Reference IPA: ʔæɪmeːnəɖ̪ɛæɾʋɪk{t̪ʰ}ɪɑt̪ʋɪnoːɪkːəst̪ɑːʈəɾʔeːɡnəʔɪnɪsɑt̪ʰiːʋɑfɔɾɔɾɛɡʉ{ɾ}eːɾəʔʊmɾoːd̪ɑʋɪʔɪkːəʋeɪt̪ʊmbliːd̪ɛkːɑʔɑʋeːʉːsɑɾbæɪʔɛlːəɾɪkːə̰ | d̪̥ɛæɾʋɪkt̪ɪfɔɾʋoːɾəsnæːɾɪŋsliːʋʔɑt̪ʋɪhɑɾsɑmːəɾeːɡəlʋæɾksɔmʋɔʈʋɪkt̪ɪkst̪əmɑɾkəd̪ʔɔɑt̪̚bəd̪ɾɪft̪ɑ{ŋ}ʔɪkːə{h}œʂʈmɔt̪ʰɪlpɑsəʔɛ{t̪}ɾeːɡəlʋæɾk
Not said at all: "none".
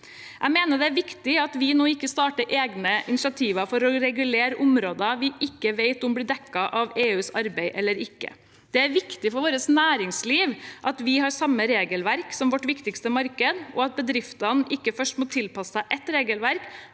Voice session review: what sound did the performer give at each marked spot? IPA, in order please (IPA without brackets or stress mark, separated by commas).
t̪, l, n, f, t̪